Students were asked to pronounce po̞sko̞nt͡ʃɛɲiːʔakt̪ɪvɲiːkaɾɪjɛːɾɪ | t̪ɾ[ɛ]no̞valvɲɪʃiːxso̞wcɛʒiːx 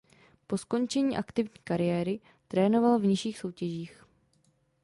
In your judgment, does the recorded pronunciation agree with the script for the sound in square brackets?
no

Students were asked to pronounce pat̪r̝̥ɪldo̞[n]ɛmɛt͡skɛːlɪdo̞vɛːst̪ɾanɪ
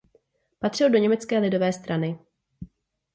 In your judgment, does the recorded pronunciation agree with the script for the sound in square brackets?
no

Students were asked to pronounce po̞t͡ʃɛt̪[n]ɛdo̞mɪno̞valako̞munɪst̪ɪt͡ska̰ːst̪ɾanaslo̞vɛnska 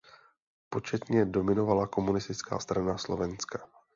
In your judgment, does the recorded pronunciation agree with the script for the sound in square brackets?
no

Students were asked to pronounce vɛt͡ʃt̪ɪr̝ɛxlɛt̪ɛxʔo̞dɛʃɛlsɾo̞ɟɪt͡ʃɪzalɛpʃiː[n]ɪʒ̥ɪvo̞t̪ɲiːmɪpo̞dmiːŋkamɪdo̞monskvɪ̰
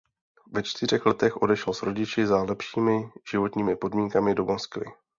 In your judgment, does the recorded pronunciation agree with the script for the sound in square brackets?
no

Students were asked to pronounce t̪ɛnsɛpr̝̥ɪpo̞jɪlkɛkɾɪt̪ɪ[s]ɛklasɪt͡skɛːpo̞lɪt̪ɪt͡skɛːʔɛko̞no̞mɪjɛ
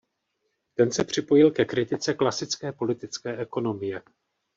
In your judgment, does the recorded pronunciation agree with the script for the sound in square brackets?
no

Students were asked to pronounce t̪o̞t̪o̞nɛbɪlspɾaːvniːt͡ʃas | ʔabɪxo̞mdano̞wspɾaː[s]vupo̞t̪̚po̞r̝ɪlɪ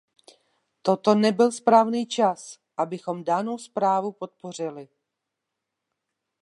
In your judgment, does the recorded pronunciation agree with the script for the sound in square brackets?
no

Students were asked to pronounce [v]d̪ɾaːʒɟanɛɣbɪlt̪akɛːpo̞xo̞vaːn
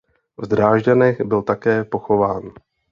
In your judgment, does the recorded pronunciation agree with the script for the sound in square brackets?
yes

